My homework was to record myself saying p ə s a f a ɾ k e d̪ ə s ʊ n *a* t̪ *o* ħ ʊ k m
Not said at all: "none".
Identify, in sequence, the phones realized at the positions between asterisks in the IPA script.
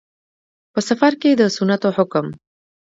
a, o

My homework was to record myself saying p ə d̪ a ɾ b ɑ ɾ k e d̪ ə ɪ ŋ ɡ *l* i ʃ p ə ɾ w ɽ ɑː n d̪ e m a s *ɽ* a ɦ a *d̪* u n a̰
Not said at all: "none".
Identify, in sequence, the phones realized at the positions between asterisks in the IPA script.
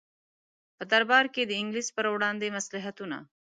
l, l, t̪

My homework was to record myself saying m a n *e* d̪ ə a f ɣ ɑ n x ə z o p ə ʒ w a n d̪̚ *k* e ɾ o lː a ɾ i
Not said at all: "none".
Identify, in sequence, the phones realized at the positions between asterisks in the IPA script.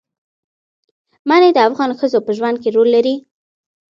e, k

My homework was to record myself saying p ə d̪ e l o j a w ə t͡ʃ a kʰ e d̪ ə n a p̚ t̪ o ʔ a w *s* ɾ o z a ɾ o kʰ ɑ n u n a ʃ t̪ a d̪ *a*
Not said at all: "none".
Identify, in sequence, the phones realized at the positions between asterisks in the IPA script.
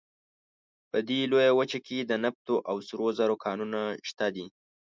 s, i

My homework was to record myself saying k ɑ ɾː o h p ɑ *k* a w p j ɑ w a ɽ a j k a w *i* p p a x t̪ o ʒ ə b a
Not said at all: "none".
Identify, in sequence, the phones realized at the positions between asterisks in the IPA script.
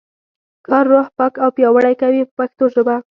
k, i

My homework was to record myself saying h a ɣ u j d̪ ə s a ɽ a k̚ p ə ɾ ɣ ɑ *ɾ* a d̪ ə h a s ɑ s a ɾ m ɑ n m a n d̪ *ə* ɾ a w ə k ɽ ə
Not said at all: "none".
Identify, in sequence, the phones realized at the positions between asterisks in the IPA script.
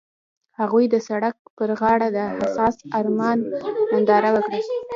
ɽ, ɑ

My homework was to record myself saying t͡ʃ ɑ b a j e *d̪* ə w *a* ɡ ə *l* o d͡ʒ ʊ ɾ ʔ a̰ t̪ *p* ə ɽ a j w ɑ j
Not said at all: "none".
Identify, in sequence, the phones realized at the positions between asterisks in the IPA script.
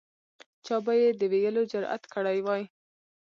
d̪, e, l, k

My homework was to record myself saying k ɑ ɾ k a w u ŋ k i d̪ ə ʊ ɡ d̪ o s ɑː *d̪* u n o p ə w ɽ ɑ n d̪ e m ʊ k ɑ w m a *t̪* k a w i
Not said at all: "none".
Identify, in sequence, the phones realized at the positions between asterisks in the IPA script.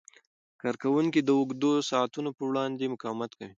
t̪, t̪

